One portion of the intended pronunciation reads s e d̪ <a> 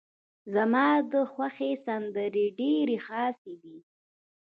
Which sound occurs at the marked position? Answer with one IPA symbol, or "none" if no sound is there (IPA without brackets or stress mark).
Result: i